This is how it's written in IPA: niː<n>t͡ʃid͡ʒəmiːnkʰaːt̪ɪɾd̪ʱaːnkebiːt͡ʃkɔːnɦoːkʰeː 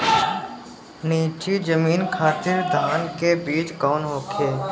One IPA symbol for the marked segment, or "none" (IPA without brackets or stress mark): none